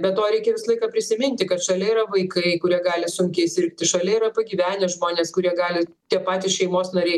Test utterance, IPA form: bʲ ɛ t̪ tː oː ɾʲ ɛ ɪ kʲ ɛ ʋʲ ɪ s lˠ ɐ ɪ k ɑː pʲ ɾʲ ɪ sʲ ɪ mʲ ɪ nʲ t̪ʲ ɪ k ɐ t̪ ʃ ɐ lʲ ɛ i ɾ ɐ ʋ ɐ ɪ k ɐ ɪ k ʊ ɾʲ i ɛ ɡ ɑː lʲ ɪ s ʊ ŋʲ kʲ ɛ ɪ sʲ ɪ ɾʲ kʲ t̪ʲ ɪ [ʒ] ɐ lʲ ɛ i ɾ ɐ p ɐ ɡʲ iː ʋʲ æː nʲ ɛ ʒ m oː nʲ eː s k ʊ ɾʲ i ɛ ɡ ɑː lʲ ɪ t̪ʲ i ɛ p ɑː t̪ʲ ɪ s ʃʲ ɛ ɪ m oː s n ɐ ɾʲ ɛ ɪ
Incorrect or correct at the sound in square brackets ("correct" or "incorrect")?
incorrect